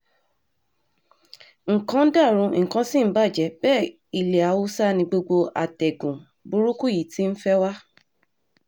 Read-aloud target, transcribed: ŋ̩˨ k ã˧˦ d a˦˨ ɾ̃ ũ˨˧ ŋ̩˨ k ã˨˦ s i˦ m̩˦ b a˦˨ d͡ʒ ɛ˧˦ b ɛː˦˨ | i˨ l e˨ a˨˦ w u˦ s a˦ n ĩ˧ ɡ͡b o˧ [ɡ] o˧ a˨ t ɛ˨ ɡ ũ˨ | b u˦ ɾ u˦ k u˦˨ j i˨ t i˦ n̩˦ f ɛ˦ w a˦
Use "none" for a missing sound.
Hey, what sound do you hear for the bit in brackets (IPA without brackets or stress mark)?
ɡ͡b